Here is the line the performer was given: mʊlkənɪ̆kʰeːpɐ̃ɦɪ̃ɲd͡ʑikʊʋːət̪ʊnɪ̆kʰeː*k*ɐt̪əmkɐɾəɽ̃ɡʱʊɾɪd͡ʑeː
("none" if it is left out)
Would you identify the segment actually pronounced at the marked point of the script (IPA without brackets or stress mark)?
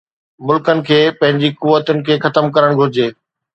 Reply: x